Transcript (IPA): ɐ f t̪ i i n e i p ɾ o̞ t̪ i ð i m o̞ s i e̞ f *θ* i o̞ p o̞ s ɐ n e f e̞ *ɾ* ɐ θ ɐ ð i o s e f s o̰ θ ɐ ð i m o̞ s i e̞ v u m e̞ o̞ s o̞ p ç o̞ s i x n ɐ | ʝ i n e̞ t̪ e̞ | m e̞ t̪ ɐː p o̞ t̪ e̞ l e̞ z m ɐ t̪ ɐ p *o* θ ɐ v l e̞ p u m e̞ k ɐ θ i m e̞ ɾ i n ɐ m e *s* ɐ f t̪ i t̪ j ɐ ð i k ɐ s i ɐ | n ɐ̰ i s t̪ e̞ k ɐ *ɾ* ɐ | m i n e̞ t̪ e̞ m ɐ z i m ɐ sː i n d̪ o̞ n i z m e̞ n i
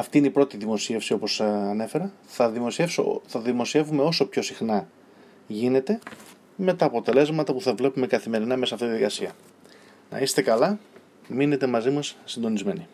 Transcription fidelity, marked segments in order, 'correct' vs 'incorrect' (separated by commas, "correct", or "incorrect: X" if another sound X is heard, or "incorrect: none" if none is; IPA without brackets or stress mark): incorrect: s, correct, incorrect: u, correct, incorrect: l